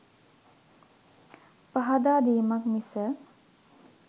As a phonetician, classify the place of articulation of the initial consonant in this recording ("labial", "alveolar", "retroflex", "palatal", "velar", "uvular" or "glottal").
labial